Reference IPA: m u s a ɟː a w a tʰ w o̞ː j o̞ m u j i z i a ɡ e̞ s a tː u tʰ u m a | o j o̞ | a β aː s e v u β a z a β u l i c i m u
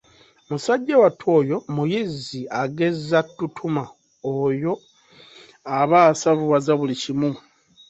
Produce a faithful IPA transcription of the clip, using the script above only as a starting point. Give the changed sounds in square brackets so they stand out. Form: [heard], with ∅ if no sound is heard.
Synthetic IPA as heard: m u s a ɟː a w a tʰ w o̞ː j o̞ m u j i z i a ɡ e̞ [z] a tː u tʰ u m a | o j o̞ | a β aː s [a] v u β a z a β u l i c i m u